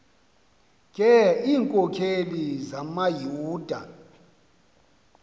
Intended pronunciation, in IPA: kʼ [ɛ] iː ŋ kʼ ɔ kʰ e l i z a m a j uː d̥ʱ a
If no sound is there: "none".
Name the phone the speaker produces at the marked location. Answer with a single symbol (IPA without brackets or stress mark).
ɛ